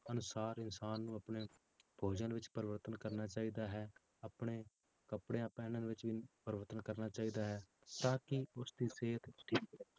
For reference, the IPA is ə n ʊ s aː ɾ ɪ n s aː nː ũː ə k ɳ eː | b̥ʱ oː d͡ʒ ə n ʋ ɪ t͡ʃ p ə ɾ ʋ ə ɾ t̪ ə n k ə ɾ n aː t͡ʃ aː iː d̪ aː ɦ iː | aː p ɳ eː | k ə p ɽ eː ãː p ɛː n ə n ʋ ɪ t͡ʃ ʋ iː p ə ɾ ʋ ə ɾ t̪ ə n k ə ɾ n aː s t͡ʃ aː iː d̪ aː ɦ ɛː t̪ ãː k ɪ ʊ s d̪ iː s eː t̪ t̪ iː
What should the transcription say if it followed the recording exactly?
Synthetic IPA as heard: ə n ʊ s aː ɾ ɪ n s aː nː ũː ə p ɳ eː | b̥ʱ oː d͡ʒ ə n ʋ ɪ t͡ʃ p ə ɾ ʋ ə ɾ t̪ ə n k ə ɾ n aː t͡ʃ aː iː d̪ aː ɦ ɛː | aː p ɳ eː | k ə p ɽ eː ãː p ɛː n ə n ʋ ɪ t͡ʃ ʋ iː p ə ɾ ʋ ə ɾ t̪ ə n k ə ɾ n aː t͡ʃ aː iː d̪ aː ɦ ɛː t̪ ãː k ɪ ʊ s d̪ iː s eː t̪ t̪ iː